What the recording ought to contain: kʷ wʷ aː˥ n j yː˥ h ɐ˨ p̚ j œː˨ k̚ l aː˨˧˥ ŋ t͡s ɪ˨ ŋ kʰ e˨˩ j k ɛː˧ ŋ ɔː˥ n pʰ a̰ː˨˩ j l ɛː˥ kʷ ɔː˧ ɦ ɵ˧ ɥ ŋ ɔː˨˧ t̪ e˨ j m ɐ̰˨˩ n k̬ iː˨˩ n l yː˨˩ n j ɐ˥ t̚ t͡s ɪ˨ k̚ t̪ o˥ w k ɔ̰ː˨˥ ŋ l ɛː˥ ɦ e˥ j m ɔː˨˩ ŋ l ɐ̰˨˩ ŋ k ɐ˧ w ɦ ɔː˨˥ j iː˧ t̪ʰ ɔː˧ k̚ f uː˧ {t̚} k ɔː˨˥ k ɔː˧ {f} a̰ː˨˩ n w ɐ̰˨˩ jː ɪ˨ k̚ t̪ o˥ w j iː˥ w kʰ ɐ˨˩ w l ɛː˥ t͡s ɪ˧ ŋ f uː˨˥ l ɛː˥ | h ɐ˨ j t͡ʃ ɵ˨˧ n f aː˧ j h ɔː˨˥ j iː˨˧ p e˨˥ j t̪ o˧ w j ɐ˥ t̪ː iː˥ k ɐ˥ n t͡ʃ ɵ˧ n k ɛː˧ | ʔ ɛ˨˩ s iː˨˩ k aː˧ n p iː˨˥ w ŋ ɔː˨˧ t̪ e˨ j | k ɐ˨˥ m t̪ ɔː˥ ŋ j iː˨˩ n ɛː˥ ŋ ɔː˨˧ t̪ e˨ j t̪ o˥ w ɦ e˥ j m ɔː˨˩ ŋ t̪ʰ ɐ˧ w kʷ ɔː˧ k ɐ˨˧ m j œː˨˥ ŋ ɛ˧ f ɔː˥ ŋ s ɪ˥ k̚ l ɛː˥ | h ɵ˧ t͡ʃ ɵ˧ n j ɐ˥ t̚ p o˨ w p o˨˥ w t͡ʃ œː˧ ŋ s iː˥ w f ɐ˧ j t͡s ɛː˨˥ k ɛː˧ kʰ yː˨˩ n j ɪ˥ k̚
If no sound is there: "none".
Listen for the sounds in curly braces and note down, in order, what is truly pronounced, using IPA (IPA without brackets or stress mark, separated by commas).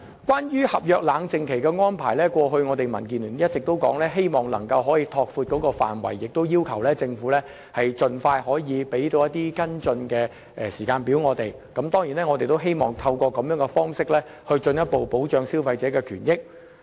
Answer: t̚, f